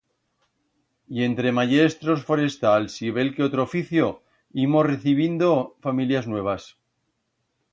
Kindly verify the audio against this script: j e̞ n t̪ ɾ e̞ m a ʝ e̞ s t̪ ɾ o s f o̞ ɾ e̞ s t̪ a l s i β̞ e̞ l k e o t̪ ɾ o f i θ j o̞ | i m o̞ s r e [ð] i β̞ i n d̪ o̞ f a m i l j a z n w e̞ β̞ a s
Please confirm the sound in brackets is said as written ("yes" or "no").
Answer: no